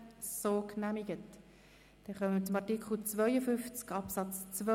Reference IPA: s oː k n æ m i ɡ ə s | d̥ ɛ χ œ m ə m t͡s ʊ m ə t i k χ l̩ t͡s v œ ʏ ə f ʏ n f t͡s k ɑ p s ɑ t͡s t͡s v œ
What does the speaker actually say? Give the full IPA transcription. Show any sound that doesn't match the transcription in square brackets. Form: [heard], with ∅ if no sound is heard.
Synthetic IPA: s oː k n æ m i ɡ ə [t] | d̥ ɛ χ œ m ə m t͡s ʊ m [ɑ] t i k χ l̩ t͡s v œ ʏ ə f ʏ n f t͡s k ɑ p s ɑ t͡s t͡s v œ